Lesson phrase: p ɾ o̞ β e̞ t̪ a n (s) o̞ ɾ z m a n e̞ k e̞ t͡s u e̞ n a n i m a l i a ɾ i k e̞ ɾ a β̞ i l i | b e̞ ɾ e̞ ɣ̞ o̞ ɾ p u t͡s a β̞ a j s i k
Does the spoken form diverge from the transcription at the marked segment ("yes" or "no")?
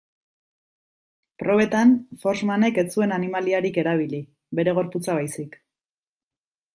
yes